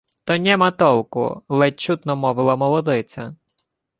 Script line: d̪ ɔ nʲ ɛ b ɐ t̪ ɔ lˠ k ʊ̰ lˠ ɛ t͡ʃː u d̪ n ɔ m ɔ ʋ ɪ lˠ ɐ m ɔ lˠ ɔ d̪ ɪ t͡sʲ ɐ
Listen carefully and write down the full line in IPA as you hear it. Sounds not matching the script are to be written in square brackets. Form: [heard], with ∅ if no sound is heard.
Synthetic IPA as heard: [t̪] ɔ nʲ ɛ [m] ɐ t̪ ɔ lˠ k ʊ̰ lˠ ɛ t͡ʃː u [t̪] n ɔ m ɔ ʋ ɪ lˠ ɐ m ɔ lˠ ɔ d̪ ɪ t͡sʲ ɐ

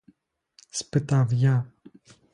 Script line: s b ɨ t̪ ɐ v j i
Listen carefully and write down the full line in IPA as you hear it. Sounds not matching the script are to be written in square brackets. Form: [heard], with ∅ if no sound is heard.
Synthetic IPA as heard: s [p] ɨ t̪ [a] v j [a]

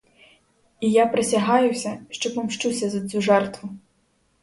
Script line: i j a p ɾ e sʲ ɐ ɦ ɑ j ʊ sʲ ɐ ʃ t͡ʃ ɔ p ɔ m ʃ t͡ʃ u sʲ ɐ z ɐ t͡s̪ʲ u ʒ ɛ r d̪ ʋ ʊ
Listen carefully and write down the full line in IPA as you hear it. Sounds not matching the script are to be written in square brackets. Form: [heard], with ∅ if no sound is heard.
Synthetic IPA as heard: i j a p ɾ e sʲ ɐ ɦ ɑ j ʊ sʲ ɐ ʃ t͡ʃ ɔ p ɔ m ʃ t͡ʃ u sʲ ɐ z ɐ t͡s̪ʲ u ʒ ɛ r [t̪] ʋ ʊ

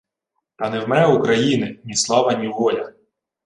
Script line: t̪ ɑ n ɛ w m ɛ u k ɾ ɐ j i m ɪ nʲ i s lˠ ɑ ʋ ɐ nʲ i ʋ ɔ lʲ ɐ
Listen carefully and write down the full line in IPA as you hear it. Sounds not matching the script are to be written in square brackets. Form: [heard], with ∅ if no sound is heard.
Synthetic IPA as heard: t̪ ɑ n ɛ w m ɛ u k ɾ ɐ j i [n] ɪ nʲ i s lˠ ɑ ʋ ɐ nʲ i ʋ ɔ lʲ ɐ

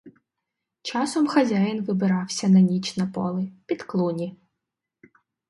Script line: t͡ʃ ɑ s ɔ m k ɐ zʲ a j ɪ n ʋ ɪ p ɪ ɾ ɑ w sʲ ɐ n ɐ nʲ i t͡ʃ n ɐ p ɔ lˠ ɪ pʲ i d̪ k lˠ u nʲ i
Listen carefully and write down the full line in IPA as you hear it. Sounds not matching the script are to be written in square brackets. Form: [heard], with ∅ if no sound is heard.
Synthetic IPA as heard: t͡ʃ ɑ s ɔ m [x] ɐ zʲ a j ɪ n ʋ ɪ [b] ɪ ɾ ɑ w sʲ ɐ n ɐ nʲ i t͡ʃ n ɐ p ɔ lˠ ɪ pʲ i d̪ k lˠ u nʲ i

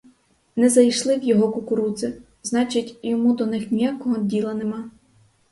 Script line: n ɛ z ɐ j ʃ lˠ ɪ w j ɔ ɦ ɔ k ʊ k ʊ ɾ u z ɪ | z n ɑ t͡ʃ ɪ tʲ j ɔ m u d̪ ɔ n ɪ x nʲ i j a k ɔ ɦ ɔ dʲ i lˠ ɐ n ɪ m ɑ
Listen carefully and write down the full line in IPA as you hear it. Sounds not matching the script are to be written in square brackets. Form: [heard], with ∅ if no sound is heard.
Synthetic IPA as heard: n ɛ z ɐ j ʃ lˠ ɪ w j ɔ ɦ ɔ k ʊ k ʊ ɾ u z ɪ | z n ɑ t͡ʃ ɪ tʲ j ɔ m u d̪ ɔ n ɪ x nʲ i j a k ɔ ɦ ɔ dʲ i lˠ ɐ n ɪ m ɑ

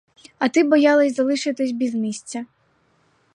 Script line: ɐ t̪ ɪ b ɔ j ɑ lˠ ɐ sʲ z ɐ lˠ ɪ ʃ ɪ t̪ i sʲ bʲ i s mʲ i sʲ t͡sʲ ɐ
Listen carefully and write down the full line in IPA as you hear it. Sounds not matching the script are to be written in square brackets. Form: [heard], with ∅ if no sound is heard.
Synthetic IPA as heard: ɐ t̪ ɪ b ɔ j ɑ lˠ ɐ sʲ z ɐ lˠ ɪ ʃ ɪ t̪ [ɪ] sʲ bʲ i [z] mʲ i sʲ t͡sʲ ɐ

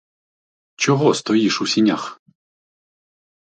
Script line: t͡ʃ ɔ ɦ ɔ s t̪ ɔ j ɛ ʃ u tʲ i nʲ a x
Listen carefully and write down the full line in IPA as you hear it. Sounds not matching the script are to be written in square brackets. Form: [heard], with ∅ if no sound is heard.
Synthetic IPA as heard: t͡ʃ ɔ ɦ ɔ s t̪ ɔ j [i] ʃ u [sʲ] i nʲ a x

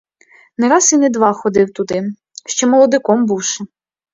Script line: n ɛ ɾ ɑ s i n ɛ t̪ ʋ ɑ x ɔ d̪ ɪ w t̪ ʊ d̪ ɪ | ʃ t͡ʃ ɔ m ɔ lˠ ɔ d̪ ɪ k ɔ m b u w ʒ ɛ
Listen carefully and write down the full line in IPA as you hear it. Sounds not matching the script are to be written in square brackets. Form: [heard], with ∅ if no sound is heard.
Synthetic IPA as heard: n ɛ ɾ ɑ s i n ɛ [d̪] ʋ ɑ x ɔ d̪ ɪ w t̪ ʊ d̪ ɪ | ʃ t͡ʃ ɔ m ɔ lˠ ɔ d̪ ɪ k ɔ m b u w [ʃ] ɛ

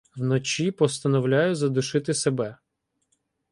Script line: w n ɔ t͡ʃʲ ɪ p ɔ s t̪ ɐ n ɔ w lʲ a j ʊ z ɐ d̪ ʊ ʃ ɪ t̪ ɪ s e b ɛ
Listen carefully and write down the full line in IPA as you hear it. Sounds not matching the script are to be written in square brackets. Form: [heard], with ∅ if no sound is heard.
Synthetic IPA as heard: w n ɔ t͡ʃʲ [i] p ɔ s t̪ ɐ n ɔ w lʲ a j ʊ z ɐ d̪ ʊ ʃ ɪ t̪ ɪ s e b ɛ

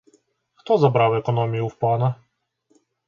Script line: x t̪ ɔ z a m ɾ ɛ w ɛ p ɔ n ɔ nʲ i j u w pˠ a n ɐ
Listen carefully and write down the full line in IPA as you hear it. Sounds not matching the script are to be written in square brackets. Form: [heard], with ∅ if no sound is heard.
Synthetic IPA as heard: x t̪ ɔ z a [b] ɾ [a] w ɛ [k] ɔ n ɔ [mʲ] i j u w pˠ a n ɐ

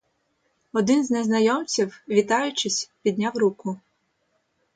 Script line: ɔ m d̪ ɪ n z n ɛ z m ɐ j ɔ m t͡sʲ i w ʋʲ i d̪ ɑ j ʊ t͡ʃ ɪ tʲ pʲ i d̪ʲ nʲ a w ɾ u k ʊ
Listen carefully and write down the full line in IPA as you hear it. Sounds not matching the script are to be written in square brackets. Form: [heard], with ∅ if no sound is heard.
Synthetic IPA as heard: ɔ [∅] d̪ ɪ n z n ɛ z [n] ɐ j ɔ m t͡sʲ i w ʋʲ i [t̪] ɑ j ʊ t͡ʃ ɪ [sʲ] pʲ i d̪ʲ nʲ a w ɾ u k ʊ

